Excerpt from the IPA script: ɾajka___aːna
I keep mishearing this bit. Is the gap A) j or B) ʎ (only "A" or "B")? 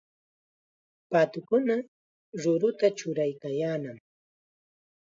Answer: A